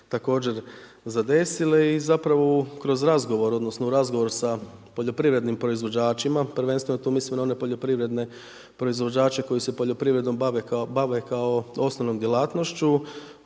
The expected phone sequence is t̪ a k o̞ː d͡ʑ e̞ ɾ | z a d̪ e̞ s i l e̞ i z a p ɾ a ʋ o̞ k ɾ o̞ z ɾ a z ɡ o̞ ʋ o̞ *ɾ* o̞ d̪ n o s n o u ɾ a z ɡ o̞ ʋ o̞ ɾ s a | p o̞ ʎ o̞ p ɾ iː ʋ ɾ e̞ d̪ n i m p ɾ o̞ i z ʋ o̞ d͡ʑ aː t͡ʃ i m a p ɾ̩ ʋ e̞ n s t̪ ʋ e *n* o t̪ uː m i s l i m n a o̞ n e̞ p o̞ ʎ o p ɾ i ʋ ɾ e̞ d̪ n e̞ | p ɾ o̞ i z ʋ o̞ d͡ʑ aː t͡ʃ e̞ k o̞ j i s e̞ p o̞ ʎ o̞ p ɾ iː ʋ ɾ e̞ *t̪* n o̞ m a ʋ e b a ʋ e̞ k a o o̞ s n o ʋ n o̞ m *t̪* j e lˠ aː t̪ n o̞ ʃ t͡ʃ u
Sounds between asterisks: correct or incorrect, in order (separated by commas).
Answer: correct, correct, incorrect, incorrect